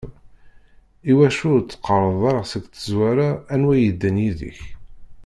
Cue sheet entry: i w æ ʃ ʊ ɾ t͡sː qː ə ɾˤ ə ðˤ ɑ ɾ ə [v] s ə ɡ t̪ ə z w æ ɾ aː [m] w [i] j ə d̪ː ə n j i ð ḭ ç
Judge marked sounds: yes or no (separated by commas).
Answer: no, no, no